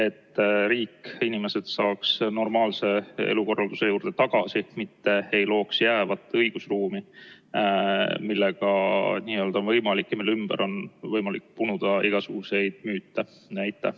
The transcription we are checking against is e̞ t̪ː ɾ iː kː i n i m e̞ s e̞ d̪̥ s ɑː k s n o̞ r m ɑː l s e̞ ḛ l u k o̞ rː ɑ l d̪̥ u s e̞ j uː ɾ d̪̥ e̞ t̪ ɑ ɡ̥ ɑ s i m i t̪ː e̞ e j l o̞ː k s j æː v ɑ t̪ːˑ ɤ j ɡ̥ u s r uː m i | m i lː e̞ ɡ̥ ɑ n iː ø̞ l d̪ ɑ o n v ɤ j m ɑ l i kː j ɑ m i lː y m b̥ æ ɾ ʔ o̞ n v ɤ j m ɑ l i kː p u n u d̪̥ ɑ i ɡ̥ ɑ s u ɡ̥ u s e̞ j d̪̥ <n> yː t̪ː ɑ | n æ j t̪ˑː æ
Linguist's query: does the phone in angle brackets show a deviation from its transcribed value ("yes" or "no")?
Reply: yes